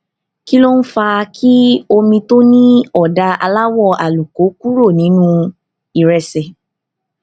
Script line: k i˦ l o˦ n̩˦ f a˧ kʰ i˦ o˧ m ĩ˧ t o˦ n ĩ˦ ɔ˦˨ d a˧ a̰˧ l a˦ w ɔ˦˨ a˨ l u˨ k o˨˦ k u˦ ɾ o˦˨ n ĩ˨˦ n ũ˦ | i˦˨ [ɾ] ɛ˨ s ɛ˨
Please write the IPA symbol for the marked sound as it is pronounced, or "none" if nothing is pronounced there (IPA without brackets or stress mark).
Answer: ɾ